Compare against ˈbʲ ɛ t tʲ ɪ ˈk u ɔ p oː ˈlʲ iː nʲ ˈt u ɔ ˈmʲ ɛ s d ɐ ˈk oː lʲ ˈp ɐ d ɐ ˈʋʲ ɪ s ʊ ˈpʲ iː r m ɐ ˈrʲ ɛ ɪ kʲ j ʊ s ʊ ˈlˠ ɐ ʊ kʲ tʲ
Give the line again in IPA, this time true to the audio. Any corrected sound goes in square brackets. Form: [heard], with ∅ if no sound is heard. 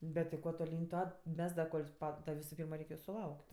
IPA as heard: ˈbʲ ɛ t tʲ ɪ ˈk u ɔ [t] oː ˈlʲ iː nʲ ˈt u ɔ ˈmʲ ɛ s d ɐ ˈk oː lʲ ˈp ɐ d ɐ ˈʋʲ ɪ s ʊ ˈpʲ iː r m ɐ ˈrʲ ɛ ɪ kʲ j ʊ s ʊ ˈlˠ ɐ ʊ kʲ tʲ

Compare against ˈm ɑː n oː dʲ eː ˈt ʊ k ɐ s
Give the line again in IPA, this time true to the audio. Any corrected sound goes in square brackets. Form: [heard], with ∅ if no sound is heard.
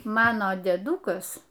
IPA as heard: ˈm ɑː n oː dʲ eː [ˈd] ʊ k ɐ s

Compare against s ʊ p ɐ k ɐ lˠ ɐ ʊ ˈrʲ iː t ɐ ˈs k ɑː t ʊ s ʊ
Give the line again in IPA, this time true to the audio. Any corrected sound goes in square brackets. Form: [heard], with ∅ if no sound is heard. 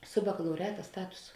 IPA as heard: s ʊ [b] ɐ k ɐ lˠ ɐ ʊ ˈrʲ [æː] t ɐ ˈs [t] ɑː t ʊ s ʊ

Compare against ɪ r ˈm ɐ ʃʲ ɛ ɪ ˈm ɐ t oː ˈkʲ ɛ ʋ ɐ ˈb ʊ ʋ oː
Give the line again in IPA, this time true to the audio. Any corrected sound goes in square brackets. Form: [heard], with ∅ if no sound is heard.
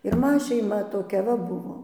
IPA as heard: ɪ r ˈm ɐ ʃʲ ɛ ɪ ˈm ɐ t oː ˈkʲ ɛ ʋ ɐ ˈb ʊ ʋ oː

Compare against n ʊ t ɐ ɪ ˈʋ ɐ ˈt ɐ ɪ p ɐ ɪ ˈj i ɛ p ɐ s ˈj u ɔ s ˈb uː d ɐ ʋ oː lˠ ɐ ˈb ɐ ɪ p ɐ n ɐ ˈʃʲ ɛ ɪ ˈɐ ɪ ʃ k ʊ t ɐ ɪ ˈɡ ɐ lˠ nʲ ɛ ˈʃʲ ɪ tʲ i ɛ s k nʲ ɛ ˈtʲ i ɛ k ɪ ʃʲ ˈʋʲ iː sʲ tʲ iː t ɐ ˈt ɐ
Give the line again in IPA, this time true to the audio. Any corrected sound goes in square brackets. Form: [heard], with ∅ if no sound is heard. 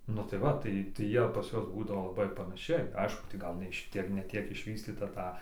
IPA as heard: n ʊ t ɐ ɪ ˈʋ ɐ ˈt ɐ ɪ [t] ɐ ɪ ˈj i ɛ p ɐ s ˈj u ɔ s ˈb uː d ɐ ʋ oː lˠ ɐ ˈb ɐ ɪ p ɐ n ɐ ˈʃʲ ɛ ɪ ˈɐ ɪ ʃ k ʊ t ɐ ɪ ˈɡ ɐ lˠ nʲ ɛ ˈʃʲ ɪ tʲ i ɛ [∅] k nʲ ɛ ˈtʲ i ɛ k ɪ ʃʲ ˈʋʲ iː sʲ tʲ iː t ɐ ˈt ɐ

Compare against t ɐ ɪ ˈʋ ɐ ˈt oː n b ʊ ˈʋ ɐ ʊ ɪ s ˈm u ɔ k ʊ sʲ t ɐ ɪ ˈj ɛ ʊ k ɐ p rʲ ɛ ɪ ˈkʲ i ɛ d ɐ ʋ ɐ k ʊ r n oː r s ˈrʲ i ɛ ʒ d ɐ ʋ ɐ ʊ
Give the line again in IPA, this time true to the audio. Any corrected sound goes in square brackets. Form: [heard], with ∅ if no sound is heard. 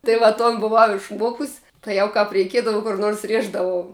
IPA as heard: t ɐ ɪ ˈʋ ɐ ˈt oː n b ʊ ˈʋ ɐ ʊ ɪ [ʃ] ˈm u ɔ k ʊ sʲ t ɐ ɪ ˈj ɛ ʊ k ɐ p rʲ ɛ ɪ ˈkʲ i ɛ d ɐ ʋ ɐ k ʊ r n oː r s ˈrʲ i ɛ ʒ d ɐ ʋ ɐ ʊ

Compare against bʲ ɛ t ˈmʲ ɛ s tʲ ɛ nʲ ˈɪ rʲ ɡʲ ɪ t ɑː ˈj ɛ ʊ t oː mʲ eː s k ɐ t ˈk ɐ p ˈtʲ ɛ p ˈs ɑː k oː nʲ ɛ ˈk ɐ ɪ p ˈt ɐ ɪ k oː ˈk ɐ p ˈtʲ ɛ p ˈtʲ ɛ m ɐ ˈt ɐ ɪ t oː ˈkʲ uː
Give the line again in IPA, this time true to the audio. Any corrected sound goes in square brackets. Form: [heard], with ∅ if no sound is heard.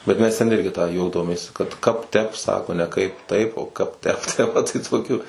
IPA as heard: bʲ ɛ t ˈmʲ ɛ s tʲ ɛ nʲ ˈɪ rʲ ɡʲ ɪ t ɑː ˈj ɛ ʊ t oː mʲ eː s k ɐ t ˈk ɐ p ˈtʲ ɛ p ˈs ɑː k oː nʲ ɛ ˈk ɐ ɪ p ˈt ɐ ɪ [p] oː ˈk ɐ p ˈtʲ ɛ p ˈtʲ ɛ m ɐ ˈt ɐ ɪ t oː ˈkʲ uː

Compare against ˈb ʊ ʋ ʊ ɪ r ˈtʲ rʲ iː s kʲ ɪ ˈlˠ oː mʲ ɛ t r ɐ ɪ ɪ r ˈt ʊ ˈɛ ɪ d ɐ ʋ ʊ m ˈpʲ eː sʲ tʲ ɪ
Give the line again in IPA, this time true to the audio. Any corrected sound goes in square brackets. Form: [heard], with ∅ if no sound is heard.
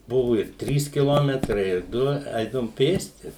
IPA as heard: ˈb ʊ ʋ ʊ ɪ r ˈtʲ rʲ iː s kʲ ɪ ˈlˠ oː mʲ ɛ t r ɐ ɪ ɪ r [ˈd] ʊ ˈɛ ɪ d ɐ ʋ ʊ m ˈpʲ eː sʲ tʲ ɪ

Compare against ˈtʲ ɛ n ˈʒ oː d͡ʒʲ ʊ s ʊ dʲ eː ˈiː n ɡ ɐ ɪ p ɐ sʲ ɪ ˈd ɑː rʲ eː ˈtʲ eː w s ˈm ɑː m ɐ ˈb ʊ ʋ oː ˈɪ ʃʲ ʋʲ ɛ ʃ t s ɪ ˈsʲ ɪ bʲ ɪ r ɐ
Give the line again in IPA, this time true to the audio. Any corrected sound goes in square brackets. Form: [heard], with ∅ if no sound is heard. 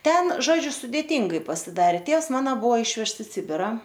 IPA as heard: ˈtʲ ɛ n ˈʒ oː d͡ʒʲ ʊ s ʊ dʲ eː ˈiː [ŋ] ɡ ɐ ɪ p ɐ sʲ ɪ ˈd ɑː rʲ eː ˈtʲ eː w s ˈm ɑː [n] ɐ ˈb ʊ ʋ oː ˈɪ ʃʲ ʋʲ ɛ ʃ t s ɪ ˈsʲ ɪ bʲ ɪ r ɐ

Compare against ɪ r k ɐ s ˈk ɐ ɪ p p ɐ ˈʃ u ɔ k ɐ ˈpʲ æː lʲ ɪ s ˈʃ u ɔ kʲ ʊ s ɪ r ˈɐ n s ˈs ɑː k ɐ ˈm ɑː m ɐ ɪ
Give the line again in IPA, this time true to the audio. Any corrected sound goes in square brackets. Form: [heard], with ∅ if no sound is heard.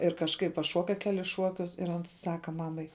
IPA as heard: ɪ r k ɐ [ʃ] ˈk ɐ ɪ p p ɐ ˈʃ u ɔ k ɐ [ˈkʲ] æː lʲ ɪ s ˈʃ u ɔ kʲ ʊ s ɪ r ˈɐ n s ˈs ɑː k ɐ ˈm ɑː m ɐ ɪ

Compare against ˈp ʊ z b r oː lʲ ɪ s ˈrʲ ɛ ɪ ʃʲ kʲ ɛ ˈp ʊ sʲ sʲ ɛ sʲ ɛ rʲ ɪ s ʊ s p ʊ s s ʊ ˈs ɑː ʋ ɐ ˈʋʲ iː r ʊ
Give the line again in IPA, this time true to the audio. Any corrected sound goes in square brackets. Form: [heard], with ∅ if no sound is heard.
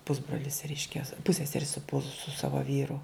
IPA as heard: ˈp ʊ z b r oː lʲ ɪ s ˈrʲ ɛ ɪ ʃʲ kʲ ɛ ˈp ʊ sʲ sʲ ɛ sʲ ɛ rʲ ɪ s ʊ [∅] p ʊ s s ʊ ˈs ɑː ʋ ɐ ˈʋʲ iː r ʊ

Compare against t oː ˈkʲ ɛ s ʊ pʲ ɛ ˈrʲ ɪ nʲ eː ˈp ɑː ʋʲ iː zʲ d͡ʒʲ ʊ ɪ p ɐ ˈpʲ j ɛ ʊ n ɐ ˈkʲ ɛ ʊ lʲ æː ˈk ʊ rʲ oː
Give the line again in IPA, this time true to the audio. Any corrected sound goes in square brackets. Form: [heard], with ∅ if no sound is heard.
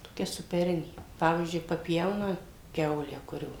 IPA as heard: t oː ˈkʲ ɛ s ʊ pʲ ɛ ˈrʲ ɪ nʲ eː ˈp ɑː ʋʲ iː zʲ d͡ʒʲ ʊ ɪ p ɐ ˈpʲ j ɛ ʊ n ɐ ˈkʲ ɛ ʊ lʲ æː ˈk ʊ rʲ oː

